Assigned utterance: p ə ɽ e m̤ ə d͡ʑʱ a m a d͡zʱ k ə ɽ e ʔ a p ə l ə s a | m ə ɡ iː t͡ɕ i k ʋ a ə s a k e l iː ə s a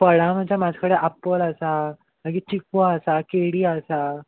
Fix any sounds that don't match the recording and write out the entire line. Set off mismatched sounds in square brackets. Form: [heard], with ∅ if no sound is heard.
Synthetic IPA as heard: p ə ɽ [a] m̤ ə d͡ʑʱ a m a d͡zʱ k ə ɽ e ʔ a p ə l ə s a | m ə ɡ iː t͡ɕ i k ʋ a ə s a k e [ɽ] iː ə s a